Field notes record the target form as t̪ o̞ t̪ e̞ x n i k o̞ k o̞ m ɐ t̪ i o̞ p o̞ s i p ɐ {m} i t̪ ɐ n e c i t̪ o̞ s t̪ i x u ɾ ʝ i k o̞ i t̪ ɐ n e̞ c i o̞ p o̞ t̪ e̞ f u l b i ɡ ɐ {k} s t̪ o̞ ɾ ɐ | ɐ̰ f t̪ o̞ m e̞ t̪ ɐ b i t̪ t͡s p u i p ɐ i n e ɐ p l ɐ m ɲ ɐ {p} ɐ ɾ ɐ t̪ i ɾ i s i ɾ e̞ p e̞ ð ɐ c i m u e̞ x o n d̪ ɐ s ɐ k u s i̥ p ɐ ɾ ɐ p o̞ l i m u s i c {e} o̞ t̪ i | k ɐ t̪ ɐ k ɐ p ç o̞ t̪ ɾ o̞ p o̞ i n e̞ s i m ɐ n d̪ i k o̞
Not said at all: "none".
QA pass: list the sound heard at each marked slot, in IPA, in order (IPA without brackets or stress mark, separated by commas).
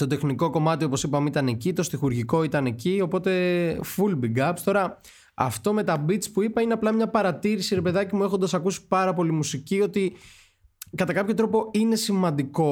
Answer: m, p, p, i